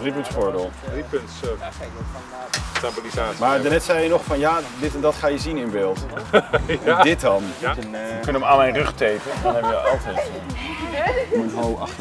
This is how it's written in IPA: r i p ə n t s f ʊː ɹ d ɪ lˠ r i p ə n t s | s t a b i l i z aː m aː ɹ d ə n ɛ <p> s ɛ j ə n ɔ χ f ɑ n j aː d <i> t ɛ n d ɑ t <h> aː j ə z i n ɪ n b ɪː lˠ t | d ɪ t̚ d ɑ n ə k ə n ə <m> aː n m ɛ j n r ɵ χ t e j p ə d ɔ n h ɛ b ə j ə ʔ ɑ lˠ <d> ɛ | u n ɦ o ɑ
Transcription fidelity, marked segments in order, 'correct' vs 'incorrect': incorrect, incorrect, incorrect, correct, incorrect

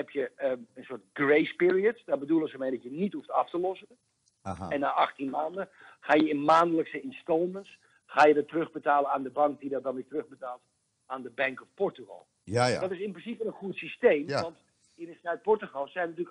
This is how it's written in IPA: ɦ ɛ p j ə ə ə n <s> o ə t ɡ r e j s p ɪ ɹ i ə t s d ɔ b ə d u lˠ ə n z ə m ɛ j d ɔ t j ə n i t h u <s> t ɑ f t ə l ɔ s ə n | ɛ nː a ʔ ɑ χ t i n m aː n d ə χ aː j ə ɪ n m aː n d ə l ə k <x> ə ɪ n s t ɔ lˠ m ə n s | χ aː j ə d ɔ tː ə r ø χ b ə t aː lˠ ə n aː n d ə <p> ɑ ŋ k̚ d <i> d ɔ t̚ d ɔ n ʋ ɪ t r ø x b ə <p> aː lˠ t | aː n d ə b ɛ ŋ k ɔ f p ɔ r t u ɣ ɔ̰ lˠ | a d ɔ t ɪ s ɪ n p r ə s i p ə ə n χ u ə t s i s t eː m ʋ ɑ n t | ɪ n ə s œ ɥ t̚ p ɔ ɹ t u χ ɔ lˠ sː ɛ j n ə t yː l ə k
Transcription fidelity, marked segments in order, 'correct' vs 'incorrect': correct, incorrect, incorrect, incorrect, correct, incorrect

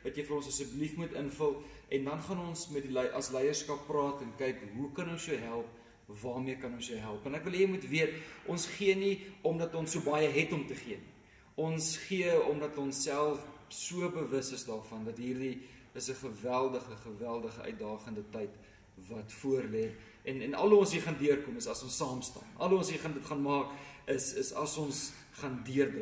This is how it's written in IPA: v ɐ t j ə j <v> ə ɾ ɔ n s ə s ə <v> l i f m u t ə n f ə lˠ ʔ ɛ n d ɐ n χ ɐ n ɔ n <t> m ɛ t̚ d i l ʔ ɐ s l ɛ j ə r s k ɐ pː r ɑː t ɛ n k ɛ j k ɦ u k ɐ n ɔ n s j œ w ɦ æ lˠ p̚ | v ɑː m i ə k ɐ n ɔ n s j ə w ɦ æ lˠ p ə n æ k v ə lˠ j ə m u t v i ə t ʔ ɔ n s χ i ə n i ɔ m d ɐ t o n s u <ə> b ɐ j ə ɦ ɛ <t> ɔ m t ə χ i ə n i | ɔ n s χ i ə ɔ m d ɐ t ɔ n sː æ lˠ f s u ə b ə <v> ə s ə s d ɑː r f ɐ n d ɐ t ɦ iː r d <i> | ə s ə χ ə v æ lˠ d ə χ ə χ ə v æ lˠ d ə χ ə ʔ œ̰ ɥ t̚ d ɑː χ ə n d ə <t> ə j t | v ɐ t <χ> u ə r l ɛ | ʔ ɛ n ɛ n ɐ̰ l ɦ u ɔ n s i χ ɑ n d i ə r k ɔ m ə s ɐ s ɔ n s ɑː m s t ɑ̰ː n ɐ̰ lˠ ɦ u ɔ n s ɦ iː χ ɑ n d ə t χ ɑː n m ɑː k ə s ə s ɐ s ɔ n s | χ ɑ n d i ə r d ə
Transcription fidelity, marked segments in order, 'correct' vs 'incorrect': incorrect, incorrect, incorrect, correct, correct, correct, correct, correct, incorrect

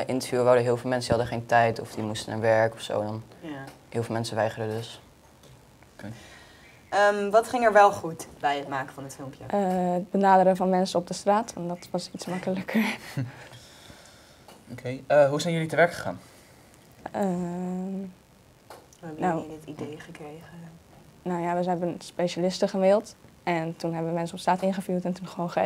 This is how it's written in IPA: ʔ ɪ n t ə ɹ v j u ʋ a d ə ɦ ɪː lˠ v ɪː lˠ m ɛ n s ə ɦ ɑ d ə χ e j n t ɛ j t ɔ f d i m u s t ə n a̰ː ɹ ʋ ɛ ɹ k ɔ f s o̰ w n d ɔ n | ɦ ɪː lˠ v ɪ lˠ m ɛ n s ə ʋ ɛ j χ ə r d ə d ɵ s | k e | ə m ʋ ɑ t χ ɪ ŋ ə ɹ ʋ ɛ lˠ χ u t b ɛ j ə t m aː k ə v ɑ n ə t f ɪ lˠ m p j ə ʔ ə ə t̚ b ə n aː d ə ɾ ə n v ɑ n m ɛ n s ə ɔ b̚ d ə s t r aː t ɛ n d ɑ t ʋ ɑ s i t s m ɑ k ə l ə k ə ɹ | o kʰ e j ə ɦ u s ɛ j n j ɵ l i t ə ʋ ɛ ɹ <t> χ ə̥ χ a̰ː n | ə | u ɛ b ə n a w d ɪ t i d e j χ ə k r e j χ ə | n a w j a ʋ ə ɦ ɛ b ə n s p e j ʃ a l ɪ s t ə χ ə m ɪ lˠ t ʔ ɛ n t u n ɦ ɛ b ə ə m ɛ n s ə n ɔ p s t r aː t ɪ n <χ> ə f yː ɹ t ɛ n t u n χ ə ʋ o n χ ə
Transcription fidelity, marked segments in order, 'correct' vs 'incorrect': incorrect, correct

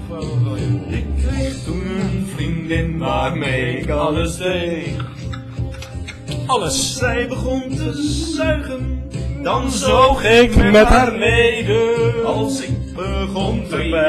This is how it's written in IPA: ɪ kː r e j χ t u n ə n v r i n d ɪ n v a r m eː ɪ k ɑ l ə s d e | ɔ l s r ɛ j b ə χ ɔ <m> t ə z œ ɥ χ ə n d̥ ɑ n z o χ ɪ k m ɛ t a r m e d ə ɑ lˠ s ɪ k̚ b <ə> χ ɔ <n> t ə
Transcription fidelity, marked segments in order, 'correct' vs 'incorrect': incorrect, correct, correct

